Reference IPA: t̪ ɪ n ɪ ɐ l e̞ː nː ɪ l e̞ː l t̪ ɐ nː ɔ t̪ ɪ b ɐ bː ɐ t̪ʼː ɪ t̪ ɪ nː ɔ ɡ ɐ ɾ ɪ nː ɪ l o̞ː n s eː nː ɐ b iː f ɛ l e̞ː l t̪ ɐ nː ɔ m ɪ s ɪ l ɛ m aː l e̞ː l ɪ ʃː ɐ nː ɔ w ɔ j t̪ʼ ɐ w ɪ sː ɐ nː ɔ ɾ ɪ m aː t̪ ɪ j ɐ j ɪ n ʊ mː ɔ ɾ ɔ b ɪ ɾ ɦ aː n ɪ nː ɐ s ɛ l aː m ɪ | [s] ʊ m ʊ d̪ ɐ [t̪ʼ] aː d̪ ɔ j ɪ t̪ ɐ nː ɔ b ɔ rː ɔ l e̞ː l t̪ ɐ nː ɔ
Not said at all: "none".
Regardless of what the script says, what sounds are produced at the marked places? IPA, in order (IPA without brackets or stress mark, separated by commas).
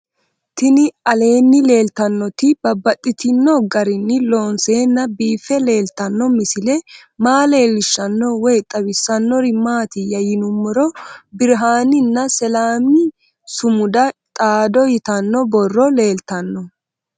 s, t̪ʼ